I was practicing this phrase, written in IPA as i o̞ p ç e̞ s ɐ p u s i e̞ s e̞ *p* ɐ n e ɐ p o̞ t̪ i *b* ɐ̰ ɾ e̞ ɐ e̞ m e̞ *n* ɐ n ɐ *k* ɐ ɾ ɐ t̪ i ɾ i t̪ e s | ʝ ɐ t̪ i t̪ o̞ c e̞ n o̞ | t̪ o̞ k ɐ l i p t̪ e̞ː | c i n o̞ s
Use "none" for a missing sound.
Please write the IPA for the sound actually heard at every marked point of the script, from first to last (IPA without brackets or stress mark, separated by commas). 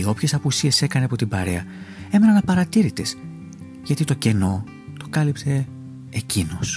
k, b, n, p